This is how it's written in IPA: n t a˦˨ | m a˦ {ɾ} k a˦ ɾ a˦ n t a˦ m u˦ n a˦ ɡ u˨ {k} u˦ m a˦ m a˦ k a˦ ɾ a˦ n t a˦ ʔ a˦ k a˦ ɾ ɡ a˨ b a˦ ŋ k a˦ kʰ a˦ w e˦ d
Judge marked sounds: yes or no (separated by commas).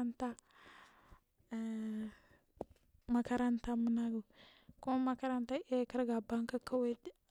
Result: no, yes